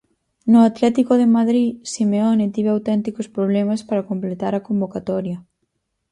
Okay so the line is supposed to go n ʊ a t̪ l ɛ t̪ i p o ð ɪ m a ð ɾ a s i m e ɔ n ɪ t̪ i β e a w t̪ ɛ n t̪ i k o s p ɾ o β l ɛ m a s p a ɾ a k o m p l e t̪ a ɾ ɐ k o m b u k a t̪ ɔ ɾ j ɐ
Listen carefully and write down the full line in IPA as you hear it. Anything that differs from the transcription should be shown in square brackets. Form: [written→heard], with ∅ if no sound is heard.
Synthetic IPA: n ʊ a t̪ l ɛ t̪ i [p→k] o ð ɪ m a ð ɾ [a→i] s i m e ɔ n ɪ t̪ i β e a w t̪ ɛ n t̪ i k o s p ɾ o β l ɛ m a s p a ɾ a k o m p l e t̪ a ɾ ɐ k o m b [u→o] k a t̪ ɔ ɾ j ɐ